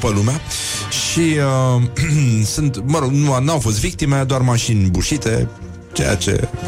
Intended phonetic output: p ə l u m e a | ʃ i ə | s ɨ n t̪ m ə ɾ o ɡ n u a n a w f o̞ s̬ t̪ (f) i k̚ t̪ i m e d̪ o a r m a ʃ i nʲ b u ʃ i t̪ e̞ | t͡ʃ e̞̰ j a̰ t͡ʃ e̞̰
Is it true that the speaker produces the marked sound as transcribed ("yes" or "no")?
no